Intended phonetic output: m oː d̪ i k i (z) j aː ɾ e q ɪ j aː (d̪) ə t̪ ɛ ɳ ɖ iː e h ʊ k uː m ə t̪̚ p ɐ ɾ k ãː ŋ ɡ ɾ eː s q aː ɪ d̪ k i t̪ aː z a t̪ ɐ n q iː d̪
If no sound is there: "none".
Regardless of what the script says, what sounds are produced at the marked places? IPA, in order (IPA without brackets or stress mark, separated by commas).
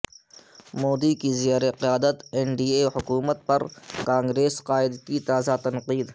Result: z, d̪